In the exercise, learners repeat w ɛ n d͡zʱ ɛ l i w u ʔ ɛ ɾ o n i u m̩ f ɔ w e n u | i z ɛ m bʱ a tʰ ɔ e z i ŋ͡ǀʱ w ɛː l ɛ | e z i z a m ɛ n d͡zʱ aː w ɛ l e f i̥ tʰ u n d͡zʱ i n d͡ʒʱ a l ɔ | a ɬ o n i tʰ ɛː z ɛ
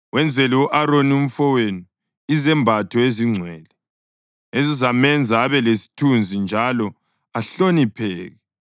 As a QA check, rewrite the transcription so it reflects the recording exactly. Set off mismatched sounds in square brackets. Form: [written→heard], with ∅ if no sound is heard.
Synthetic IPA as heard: w ɛ n d͡zʱ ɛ l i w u ʔ [ɛ→a] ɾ o n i u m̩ f ɔ w e n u | i z ɛ m bʱ a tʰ ɔ e z i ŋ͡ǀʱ w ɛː l ɛ | e z i z a m ɛ n d͡zʱ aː [w→β] ɛ l e [f→s] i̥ tʰ u n d͡zʱ i n d͡ʒʱ a l ɔ | a ɬ o n i [tʰ→pʰ] ɛː [z→ɣ] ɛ